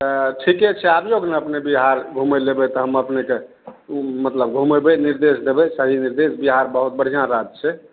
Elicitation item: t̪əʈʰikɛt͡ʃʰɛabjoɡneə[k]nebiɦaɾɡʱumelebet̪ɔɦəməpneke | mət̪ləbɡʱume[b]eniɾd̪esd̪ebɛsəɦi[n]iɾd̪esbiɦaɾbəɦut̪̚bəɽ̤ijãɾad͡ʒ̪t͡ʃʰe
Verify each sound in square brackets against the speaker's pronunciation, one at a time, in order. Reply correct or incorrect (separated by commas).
incorrect, correct, correct